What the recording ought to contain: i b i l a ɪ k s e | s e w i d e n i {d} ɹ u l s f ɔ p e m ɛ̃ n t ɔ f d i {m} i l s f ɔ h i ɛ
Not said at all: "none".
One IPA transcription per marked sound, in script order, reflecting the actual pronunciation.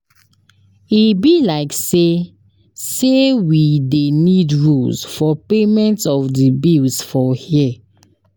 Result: d, b

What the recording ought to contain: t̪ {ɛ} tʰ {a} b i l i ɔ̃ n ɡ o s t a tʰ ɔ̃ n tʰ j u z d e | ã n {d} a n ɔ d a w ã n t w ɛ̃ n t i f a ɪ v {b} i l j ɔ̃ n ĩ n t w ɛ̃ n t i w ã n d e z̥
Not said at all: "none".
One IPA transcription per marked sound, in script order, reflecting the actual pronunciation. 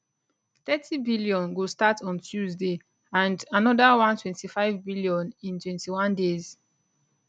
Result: ɛ, i, d, b

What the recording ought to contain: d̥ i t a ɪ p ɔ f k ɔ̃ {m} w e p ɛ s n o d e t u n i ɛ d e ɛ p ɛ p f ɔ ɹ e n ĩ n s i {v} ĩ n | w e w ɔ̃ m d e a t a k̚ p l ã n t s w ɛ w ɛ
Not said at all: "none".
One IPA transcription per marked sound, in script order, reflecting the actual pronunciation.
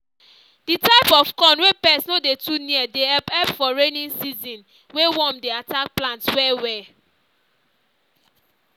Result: n, z

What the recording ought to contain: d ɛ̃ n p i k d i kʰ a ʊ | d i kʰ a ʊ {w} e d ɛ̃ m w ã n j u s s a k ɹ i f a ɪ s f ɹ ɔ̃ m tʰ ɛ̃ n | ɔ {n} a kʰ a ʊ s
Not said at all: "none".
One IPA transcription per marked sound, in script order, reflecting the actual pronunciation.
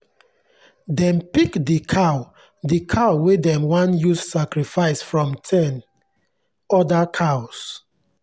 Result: w, d

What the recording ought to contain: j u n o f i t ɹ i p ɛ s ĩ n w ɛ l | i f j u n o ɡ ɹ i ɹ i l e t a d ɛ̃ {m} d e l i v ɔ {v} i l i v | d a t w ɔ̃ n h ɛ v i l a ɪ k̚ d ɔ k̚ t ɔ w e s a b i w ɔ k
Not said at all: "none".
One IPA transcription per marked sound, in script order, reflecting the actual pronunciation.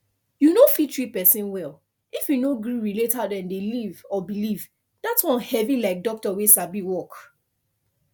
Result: n, b

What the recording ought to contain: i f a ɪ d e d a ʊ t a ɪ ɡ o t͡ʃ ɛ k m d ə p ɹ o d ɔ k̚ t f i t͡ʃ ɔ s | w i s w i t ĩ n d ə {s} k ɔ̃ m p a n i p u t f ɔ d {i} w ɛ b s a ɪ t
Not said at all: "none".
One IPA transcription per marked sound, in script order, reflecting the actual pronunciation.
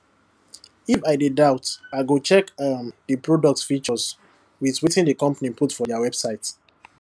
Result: none, a

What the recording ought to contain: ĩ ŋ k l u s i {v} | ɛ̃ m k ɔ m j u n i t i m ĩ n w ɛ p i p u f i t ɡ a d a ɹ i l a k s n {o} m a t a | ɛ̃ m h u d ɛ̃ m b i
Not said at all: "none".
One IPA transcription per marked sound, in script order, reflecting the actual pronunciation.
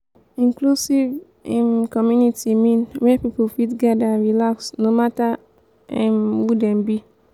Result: v, o

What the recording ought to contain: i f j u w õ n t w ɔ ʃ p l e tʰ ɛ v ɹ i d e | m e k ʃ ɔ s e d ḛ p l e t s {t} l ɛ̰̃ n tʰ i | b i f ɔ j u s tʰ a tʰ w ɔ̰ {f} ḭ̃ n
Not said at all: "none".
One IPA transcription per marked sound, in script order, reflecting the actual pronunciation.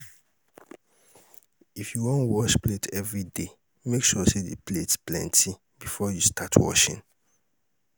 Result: p, ʃ

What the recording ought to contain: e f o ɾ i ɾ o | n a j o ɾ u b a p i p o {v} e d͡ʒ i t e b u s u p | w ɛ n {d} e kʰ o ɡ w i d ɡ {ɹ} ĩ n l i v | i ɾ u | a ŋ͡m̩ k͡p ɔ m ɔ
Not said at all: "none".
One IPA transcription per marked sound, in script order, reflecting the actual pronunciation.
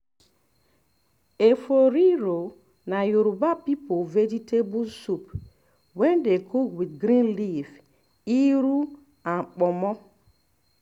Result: v, d, ɾ

